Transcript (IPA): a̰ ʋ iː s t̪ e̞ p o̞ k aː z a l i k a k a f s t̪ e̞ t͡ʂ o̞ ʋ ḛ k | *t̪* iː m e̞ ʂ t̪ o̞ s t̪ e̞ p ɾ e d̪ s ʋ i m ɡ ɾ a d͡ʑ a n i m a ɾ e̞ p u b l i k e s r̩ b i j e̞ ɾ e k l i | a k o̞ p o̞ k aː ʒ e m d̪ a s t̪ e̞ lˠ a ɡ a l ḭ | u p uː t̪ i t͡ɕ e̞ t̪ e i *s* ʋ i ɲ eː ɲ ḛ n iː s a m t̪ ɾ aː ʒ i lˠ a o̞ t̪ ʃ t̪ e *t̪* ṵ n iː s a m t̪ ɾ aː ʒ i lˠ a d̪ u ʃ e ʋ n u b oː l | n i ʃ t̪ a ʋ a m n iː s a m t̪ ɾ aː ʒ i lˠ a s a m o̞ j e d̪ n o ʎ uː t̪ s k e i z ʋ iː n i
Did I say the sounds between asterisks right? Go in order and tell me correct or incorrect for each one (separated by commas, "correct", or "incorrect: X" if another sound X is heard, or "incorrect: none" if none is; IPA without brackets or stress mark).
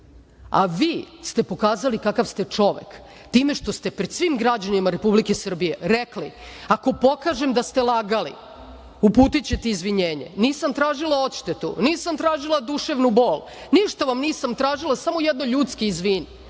correct, incorrect: z, correct